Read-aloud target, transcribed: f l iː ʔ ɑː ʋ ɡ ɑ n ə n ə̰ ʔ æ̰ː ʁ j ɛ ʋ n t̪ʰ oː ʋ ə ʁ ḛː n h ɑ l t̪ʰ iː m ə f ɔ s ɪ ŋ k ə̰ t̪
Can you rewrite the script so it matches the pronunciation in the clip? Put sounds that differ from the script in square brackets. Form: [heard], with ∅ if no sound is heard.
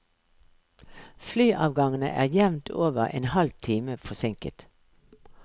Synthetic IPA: f l [yː] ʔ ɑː ʋ ɡ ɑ [ŋ] ə n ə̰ ʔ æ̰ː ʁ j ɛ ʋ n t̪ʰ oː ʋ ə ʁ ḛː n h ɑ l t̪ʰ iː m ə f ɔ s ɪ ŋ k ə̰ t̪